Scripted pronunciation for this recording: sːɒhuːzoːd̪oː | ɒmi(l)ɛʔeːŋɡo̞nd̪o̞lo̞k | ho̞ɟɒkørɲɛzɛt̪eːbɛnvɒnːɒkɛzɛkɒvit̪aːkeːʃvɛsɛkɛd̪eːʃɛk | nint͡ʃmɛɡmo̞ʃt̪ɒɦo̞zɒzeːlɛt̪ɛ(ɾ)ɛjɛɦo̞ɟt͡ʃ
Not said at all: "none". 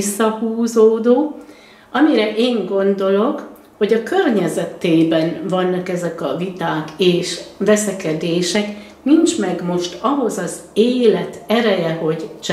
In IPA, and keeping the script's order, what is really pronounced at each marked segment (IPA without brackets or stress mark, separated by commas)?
ɾ, ɾ